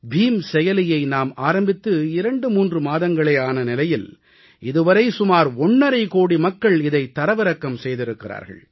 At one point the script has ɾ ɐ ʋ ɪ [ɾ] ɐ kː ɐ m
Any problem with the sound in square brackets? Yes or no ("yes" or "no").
no